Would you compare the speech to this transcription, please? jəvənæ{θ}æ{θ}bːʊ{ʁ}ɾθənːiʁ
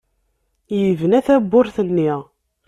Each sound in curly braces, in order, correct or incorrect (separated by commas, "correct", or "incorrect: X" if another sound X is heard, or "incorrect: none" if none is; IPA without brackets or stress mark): correct, incorrect: none, incorrect: none